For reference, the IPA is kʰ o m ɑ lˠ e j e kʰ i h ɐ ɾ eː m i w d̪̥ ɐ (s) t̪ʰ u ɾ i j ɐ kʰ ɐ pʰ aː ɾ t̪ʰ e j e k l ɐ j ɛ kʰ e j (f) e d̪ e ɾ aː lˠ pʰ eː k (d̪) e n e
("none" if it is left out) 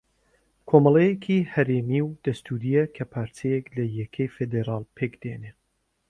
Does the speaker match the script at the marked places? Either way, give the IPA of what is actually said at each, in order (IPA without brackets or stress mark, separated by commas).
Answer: s, f, d̪